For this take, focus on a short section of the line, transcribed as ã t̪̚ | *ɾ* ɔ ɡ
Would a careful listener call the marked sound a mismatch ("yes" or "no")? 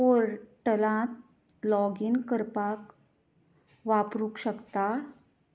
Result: yes